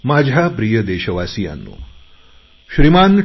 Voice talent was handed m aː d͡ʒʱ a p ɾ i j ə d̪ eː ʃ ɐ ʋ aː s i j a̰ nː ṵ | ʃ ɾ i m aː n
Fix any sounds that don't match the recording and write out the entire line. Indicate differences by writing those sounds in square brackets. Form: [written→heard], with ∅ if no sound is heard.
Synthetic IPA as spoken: m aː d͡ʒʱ a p ɾ i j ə d̪ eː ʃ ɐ ʋ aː s i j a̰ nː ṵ | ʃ ɾ i m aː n